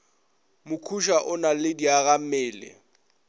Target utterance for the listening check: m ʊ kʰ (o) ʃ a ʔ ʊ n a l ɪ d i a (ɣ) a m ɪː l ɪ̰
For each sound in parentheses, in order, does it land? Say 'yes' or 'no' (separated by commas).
no, yes